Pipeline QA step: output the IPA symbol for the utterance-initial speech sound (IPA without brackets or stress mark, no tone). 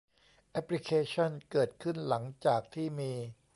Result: ʔ